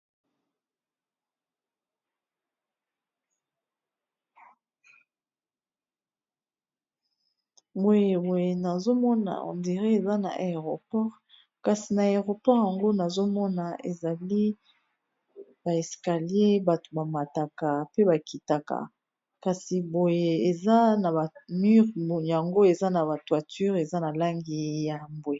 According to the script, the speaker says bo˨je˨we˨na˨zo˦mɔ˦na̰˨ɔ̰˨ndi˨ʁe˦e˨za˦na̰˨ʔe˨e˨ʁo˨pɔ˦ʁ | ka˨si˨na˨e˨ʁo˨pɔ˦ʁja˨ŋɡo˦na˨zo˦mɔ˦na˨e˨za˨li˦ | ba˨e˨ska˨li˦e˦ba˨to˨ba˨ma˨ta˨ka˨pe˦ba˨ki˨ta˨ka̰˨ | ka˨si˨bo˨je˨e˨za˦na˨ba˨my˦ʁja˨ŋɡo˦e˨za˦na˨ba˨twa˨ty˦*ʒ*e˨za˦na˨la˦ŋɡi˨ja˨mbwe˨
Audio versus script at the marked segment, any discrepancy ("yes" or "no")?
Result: yes